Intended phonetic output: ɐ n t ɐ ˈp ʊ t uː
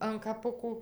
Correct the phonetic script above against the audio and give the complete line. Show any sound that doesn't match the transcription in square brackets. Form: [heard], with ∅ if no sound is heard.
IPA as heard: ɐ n [k] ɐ ˈp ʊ [k] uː

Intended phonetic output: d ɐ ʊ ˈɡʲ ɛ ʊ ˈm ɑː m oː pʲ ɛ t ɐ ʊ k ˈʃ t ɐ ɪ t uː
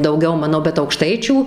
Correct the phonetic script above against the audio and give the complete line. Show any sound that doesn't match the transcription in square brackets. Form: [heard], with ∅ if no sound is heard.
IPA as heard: d ɐ ʊ ˈɡʲ ɛ ʊ ˈm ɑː [n] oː [bʲ] ɛ t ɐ ʊ k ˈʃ t ɐ ɪ [t͡ʃʲ] uː

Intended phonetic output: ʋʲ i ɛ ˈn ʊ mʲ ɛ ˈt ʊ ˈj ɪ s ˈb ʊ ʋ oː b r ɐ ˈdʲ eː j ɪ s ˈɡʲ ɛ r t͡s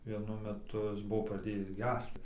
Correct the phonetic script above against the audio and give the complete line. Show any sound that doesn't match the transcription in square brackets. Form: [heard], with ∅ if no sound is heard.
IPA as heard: ʋʲ i ɛ ˈn ʊ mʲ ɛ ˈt ʊ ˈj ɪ s ˈb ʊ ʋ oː [p] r ɐ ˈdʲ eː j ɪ s ˈɡʲ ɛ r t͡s

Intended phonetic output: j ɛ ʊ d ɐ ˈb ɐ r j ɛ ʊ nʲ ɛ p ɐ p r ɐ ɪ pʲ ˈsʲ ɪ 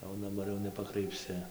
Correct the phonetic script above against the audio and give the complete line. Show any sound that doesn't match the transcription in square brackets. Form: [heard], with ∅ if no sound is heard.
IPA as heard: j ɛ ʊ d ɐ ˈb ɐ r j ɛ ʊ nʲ ɛ p ɐ [k] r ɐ ɪ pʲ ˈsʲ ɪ

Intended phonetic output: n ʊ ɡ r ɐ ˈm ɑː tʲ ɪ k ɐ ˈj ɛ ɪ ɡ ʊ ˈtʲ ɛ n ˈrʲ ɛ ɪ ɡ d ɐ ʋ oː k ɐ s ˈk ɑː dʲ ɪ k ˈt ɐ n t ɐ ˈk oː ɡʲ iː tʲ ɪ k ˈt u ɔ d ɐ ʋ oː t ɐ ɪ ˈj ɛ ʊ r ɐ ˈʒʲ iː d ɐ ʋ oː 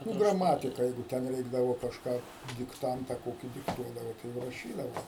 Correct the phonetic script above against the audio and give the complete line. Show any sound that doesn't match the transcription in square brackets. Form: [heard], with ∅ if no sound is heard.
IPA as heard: n ʊ ɡ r ɐ ˈm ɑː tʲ ɪ k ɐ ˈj ɛ ɪ ɡ ʊ ˈtʲ ɛ n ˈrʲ ɛ ɪ ɡ d ɐ ʋ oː k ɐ [ʃ] ˈk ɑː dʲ ɪ k ˈt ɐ n t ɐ ˈk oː [kʲ] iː [dʲ] ɪ k ˈt u ɔ d ɐ ʋ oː t ɐ ɪ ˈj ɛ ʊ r ɐ [ˈʃʲ] iː d ɐ ʋ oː

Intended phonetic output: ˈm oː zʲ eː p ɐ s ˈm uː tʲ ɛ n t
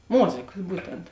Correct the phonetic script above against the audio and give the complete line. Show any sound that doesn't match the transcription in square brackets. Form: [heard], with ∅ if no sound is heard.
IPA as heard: ˈm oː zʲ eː [k] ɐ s [ˈb] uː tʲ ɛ n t

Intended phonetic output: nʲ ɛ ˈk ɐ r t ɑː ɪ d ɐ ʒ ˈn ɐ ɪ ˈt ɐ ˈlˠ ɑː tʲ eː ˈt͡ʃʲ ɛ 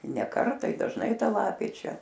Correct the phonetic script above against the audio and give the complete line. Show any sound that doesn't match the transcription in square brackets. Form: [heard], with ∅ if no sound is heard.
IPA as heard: nʲ ɛ ˈk ɐ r t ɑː ɪ d ɐ ʒ ˈn ɐ ɪ ˈt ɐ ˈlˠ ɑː [pʲ] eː ˈt͡ʃʲ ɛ

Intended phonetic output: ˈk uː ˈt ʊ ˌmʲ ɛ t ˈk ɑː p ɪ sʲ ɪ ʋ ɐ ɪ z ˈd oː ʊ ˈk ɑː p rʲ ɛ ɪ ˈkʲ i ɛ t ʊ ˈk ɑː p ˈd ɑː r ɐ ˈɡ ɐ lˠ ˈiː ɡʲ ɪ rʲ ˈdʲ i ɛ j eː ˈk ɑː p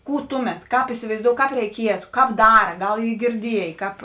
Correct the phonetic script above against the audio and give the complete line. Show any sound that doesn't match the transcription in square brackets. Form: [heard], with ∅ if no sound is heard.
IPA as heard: ˈk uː ˈt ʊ ˌmʲ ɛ t ˈk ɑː p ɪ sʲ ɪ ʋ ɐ ɪ z ˈd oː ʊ ˈk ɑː p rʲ ɛ ɪ ˈkʲ i ɛ t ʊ ˈk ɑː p ˈd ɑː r ɐ ˈɡ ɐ lˠ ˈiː ɡʲ ɪ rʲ ˈdʲ i ɛ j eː ˈk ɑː p

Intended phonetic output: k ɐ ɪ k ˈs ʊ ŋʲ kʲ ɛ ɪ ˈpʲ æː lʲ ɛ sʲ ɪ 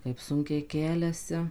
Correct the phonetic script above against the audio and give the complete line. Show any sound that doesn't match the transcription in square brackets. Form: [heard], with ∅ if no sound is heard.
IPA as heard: k ɐ ɪ [p] ˈs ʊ ŋʲ kʲ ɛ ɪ [ˈkʲ] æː lʲ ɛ sʲ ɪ

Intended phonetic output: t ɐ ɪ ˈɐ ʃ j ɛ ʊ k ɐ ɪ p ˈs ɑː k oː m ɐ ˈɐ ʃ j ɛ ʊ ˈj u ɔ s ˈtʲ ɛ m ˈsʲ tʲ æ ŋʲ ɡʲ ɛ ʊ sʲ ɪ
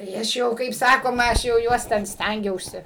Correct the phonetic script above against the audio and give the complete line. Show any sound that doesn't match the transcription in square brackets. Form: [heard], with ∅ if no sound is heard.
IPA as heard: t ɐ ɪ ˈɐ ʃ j ɛ ʊ k ɐ ɪ p ˈs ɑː k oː m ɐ ˈɐ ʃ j ɛ ʊ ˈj u ɔ s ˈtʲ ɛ [n] ˈsʲ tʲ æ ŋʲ ɡʲ ɛ ʊ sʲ ɪ

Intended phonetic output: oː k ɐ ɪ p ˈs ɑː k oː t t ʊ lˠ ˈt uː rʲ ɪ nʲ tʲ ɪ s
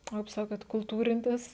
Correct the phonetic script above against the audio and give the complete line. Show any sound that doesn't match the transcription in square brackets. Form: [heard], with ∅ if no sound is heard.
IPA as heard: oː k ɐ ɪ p ˈs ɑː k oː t [k] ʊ lˠ ˈt uː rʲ ɪ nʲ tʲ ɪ s

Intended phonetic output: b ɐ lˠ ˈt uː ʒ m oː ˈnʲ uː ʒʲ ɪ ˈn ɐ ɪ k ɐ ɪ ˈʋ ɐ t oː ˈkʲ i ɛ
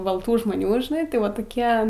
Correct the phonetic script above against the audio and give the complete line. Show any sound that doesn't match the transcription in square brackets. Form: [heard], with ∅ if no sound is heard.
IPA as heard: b ɐ lˠ ˈt uː ʒ m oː ˈnʲ uː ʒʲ ɪ ˈn ɐ ɪ [t] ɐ ɪ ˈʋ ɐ t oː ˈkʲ i ɛ

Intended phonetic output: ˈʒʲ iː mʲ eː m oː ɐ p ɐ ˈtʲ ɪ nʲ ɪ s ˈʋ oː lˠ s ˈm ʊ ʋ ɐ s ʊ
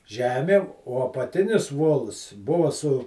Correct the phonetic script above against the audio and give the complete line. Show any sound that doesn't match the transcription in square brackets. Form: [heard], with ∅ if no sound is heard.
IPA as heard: ˈʒʲ [æː] mʲ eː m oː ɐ p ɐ ˈtʲ ɪ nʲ ɪ s ˈʋ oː lˠ s [ˈb] ʊ ʋ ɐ s ʊ

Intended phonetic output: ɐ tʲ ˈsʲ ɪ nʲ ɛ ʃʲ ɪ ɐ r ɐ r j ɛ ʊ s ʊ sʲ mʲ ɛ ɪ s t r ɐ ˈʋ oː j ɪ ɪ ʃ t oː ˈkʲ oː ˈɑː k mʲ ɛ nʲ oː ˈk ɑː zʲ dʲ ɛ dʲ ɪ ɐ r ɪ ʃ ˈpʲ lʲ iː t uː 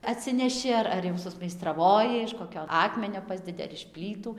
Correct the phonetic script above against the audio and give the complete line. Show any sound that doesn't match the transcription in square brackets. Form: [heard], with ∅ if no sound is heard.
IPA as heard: ɐ tʲ ˈsʲ ɪ nʲ ɛ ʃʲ ɪ ɐ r ɐ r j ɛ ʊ s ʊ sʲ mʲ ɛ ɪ s t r ɐ ˈʋ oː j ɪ ɪ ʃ [k] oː ˈkʲ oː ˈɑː k mʲ ɛ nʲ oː [ˈp] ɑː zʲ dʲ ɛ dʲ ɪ ɐ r ɪ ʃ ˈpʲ lʲ iː t uː

